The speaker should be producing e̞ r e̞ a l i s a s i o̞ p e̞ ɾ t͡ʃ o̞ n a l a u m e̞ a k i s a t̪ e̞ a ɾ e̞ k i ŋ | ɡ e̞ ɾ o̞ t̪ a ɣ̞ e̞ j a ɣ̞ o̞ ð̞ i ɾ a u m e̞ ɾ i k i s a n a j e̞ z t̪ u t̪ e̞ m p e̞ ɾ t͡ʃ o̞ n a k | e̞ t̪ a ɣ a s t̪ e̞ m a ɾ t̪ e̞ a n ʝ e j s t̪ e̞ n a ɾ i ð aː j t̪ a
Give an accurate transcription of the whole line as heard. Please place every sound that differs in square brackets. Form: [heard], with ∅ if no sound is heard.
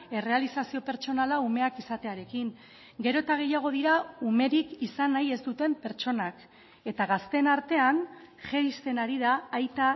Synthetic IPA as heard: e̞ r e̞ a l i s a s i o̞ p e̞ ɾ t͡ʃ o̞ n a l a u m e̞ a k i s a t̪ e̞ a ɾ e̞ k i ŋ | ɡ e̞ ɾ o̞ t̪ a ɣ̞ e̞ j a ɣ̞ o̞ ð̞ i ɾ a u m e̞ ɾ i k i s a n a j e̞ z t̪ u t̪ e̞ m p e̞ ɾ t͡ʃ o̞ n a k | e̞ t̪ a ɣ a s t̪ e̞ [n] a ɾ t̪ e̞ a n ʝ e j s t̪ e̞ n a ɾ i ð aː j t̪ a